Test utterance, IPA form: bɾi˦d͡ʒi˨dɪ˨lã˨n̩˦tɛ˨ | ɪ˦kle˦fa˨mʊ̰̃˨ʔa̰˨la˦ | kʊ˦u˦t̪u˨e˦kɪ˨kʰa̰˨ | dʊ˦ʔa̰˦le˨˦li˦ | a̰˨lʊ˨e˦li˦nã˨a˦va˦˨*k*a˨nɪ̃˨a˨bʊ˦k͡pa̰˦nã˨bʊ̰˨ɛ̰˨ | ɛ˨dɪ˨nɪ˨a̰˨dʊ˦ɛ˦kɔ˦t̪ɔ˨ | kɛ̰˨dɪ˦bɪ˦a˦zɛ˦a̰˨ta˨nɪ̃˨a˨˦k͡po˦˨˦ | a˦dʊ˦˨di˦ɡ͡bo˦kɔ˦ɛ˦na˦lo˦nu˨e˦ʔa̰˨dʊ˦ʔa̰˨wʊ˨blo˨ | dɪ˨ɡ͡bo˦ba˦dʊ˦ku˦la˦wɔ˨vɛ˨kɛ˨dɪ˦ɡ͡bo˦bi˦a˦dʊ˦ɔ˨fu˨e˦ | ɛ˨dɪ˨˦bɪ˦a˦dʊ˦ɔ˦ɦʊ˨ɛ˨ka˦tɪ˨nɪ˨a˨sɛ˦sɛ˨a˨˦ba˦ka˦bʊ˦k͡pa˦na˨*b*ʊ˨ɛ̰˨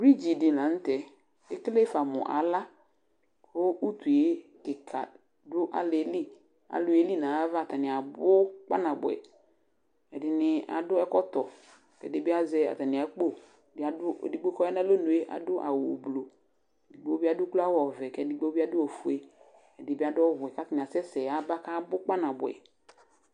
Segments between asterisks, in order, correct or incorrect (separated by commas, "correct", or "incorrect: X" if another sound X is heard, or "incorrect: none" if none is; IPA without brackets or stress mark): incorrect: t, correct